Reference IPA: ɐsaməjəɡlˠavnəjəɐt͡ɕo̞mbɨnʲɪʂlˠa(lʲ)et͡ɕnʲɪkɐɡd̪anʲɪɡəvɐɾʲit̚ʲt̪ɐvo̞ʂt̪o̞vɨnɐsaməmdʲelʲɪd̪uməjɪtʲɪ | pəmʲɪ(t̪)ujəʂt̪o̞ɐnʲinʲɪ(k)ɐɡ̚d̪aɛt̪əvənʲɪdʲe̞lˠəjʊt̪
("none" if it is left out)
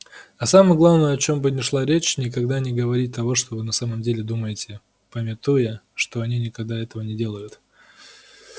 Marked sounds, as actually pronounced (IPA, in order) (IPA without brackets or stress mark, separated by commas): ɾʲ, t̪, k